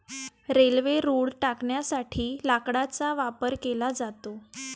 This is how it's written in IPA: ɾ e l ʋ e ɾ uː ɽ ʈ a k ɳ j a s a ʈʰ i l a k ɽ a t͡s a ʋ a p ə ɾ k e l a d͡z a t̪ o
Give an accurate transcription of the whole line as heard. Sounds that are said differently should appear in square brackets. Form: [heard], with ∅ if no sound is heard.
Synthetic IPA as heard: ɾ e l ʋ e ɾ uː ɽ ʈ a k ɳ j a s a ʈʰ [iː] l a k ɽ a t͡s a ʋ a p ə ɾ k e l a d͡z a t̪ o